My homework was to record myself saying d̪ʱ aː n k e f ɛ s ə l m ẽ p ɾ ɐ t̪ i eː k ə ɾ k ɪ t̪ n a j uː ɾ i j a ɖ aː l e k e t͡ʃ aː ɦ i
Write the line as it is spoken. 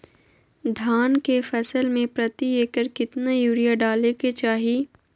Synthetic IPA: d̪ʱ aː n k e f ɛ s ə l m ẽ p ɾ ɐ t̪ i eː k ə ɾ k ɪ t̪ n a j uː ɾ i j a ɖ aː l e k e t͡ʃ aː ɦ i